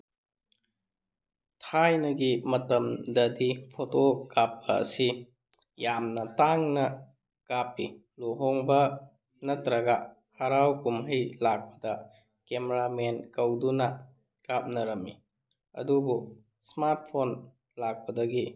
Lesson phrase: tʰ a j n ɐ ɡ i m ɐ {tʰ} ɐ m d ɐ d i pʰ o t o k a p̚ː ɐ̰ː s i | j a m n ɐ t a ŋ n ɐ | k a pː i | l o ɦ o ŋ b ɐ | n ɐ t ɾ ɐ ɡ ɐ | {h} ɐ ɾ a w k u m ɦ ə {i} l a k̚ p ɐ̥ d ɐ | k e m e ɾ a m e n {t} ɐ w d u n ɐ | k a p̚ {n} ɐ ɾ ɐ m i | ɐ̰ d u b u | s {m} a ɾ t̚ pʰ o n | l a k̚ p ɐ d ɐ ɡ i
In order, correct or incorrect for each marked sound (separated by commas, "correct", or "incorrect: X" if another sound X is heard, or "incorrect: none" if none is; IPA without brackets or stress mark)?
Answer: incorrect: t, correct, incorrect: j, incorrect: k, correct, correct